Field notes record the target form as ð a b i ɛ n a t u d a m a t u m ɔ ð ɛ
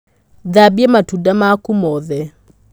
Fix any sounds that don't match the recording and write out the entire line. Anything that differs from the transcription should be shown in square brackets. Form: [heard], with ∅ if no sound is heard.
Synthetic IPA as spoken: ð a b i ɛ [m] a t u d a m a [k] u m ɔ ð ɛ